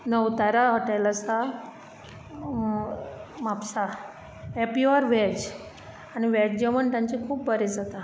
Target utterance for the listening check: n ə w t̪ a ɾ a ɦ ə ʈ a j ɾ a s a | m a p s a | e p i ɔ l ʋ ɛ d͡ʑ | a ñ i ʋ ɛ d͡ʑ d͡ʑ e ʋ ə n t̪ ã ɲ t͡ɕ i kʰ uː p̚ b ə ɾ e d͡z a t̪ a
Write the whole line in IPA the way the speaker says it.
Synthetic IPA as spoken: n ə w t̪ a ɾ a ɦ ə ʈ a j l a s a | m a p s a | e p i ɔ ɾ ʋ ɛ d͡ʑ | a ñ i ʋ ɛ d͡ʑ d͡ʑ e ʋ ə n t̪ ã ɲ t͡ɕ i kʰ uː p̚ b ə ɾ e d͡z a t̪ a